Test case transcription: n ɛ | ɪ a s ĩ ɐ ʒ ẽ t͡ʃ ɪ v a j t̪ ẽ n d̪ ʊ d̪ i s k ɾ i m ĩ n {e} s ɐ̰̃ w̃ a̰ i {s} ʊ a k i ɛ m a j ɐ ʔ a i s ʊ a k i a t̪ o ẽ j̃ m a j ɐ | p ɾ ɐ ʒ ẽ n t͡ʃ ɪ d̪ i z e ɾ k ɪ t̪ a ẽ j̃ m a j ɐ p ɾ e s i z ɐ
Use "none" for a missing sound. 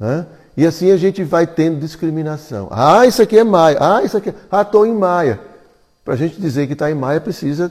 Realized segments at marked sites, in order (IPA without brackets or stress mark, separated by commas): a, s